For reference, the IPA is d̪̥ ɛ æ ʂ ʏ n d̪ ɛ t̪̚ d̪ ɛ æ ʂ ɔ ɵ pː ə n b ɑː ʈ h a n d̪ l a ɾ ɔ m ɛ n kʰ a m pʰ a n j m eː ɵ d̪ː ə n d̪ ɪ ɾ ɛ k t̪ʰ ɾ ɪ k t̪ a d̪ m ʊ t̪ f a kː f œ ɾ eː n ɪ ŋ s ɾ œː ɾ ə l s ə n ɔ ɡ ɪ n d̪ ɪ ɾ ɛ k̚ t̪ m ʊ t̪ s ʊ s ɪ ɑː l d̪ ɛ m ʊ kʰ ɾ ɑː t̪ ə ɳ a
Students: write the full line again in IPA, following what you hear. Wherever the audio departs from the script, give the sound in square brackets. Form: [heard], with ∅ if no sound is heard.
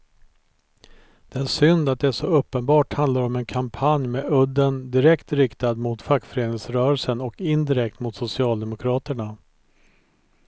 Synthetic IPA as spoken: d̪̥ ɛ æ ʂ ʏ n d̪ [a] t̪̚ d̪ ɛ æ ʂ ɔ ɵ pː ə n b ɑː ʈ h a n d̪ l a ɾ ɔ m ɛ n kʰ a m pʰ a n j m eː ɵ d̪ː ə n d̪ ɪ ɾ ɛ k [t̪] ɾ ɪ k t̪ a d̪ m ʊ t̪ f a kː f œ ɾ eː n ɪ ŋ s ɾ œː ɾ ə l s ə n ɔ [k] ɪ n d̪ ɪ ɾ ɛ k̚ t̪ m ʊ t̪ s ʊ s ɪ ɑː l d̪ ɛ m ʊ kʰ ɾ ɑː t̪ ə ɳ a